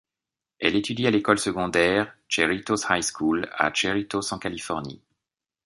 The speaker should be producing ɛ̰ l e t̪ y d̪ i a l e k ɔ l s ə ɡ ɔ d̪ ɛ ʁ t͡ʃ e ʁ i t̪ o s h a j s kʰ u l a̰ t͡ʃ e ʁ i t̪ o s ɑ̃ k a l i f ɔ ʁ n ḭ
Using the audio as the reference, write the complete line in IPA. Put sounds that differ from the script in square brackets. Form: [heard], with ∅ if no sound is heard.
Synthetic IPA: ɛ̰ l e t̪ y d̪ i a l e k ɔ l s ə ɡ [ɔ̃] d̪ ɛ ʁ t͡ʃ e ʁ i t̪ o s h a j s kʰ u l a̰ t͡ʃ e ʁ i t̪ o s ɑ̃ k a l i f ɔ ʁ n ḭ